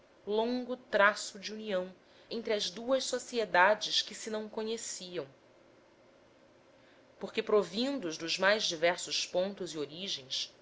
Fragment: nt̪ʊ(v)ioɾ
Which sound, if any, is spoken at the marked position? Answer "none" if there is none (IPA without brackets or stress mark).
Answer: z